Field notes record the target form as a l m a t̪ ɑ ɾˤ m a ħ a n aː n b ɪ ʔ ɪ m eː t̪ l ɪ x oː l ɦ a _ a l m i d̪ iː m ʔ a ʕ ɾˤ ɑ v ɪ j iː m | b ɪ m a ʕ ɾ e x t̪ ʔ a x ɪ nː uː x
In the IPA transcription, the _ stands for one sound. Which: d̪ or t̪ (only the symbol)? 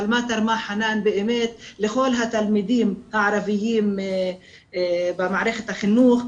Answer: t̪